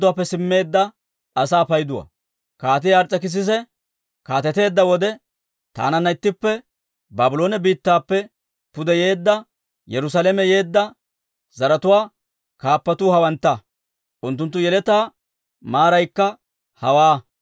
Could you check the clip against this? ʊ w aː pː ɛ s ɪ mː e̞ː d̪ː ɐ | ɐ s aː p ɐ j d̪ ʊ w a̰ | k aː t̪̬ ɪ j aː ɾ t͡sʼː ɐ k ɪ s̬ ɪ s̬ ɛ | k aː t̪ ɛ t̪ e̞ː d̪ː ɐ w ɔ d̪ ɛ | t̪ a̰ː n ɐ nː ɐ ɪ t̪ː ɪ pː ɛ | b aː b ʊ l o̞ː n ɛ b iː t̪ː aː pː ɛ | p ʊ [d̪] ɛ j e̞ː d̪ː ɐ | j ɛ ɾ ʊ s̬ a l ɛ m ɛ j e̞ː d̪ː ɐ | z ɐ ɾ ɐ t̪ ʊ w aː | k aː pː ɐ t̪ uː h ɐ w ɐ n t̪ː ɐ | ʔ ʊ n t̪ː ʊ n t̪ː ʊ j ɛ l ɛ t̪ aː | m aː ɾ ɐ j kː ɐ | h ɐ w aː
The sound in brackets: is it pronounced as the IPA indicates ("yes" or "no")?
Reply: yes